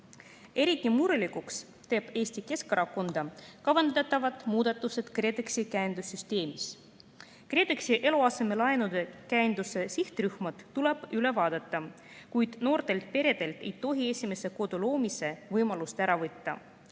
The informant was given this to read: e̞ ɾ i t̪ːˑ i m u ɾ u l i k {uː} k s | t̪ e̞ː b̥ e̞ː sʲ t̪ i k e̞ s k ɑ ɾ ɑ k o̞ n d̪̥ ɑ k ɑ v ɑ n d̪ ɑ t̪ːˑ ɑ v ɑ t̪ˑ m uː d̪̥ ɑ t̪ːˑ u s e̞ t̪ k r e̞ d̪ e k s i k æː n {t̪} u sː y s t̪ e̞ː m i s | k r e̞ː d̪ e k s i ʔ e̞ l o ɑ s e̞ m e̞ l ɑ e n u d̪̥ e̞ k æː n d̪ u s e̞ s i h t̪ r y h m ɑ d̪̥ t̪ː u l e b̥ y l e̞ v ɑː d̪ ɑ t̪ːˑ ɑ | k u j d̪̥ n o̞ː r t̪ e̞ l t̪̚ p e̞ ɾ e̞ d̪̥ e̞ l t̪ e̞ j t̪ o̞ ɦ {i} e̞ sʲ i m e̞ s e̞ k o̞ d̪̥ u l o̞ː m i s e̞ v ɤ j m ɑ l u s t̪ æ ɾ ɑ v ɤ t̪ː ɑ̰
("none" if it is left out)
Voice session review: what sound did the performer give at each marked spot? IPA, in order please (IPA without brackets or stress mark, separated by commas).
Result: u, d̪, i